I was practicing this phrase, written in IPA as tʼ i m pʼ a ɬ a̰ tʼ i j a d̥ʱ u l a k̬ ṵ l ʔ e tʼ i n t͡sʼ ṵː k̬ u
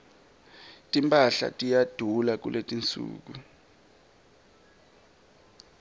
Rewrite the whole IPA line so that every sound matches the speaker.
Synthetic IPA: tʼ i m pʼ a ɬ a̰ tʼ i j a d̥ʱ u l a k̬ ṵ l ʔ e tʼ i n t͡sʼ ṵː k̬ u